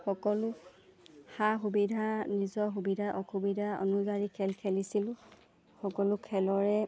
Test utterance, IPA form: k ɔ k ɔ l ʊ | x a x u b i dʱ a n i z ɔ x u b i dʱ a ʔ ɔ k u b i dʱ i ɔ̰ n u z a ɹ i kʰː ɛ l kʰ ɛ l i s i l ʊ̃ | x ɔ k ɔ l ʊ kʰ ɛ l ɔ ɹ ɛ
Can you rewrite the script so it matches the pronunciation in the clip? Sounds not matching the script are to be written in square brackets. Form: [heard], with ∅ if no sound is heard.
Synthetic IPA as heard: [x] ɔ k ɔ l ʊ | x a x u b i dʱ a n i z ɔ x u b i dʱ a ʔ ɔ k u b i dʱ [a] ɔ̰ n u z a ɹ i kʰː ɛ l kʰ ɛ l i s i l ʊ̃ | x ɔ k ɔ l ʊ kʰ ɛ l ɔ ɹ ɛ